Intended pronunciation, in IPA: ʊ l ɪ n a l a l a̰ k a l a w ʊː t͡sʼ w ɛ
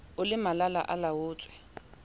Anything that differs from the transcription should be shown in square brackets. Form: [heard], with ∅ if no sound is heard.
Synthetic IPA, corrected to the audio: ʊ l ɪ [m] a l a l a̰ [ʔ] a l a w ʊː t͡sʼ w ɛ